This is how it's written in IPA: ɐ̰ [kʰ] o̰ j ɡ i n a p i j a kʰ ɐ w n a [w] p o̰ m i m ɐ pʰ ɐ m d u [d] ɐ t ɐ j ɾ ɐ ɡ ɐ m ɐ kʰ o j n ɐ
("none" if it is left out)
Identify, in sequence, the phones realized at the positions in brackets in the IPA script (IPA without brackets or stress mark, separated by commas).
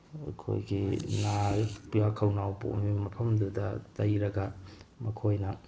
kʰ, w, d